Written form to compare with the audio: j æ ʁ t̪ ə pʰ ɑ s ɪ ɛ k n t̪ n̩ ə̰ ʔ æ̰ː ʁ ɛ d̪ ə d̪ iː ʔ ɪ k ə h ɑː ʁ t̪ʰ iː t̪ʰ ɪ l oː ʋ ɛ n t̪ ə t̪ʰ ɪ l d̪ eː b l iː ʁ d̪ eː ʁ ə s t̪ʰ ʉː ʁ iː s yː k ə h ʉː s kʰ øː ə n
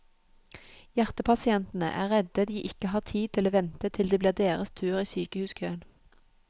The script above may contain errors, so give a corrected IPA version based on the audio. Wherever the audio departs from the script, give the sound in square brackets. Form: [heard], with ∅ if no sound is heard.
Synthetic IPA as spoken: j æ ʁ t̪ ə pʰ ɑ s ɪ ɛ [∅] n t̪ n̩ ə̰ ʔ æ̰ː ʁ ɛ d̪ ə d̪ iː ʔ ɪ k ə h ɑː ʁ t̪ʰ iː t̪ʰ ɪ l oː ʋ ɛ n t̪ ə t̪ʰ ɪ l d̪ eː b l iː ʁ d̪ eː ʁ ə s t̪ʰ ʉː ʁ iː s yː k ə h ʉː s kʰ øː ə n